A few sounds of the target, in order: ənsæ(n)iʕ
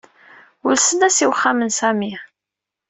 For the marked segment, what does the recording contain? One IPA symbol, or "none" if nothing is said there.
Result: m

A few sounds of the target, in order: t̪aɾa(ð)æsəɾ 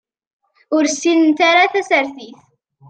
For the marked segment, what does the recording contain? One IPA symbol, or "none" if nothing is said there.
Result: θ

